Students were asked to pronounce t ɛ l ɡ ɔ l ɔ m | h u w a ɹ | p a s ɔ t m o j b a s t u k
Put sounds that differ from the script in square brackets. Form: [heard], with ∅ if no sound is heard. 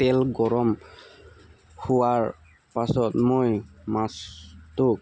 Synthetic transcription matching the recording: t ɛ l ɡ ɔ [ɹ] ɔ m | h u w a ɹ | p a s ɔ t m o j [m] a s t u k